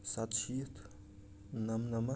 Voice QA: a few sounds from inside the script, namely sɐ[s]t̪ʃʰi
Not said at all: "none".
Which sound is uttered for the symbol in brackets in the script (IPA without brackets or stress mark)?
none